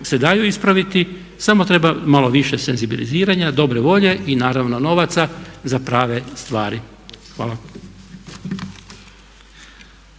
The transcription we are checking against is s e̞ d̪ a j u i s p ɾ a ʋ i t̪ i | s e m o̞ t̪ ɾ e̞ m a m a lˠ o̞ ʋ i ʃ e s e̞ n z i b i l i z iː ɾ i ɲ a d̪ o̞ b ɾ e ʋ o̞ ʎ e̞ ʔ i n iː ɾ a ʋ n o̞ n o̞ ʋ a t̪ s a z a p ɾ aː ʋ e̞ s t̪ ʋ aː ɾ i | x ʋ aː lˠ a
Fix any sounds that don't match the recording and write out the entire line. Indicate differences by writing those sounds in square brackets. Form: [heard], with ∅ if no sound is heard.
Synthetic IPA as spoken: s e̞ d̪ a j u i s p ɾ a ʋ i t̪ i | s [a] m o̞ t̪ ɾ e̞ [b] a m a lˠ o̞ ʋ i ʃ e s e̞ n z i b i l i z iː ɾ [a] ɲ a d̪ o̞ b ɾ e ʋ o̞ ʎ e̞ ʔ i n [aː] ɾ a ʋ n o̞ n o̞ ʋ a t̪ s a z a p ɾ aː ʋ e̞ s t̪ ʋ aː ɾ i | x ʋ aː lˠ a